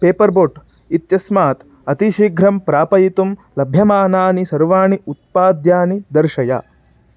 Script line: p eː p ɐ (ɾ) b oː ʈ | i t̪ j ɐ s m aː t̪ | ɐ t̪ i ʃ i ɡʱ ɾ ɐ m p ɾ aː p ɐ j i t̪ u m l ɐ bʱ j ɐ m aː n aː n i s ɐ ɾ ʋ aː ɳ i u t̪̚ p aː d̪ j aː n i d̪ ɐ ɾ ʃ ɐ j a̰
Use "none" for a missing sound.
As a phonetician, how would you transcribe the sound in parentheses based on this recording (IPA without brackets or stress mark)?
ɾ